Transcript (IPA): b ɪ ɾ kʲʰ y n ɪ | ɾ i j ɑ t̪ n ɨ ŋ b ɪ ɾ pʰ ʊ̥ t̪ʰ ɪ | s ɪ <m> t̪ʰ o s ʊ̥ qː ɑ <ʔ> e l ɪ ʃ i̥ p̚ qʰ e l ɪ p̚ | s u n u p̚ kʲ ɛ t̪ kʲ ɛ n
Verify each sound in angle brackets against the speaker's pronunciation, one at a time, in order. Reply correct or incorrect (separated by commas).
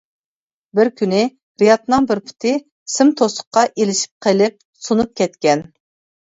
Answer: correct, correct